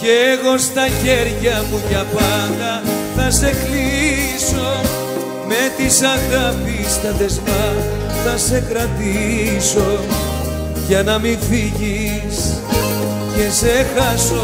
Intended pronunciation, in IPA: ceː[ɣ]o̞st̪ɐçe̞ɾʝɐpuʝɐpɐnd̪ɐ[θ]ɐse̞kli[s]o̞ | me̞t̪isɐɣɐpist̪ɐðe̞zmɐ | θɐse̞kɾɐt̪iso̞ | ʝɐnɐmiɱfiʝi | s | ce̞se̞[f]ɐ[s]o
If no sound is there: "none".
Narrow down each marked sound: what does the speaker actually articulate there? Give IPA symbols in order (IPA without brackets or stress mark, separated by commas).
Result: ɣ, θ, s, x, s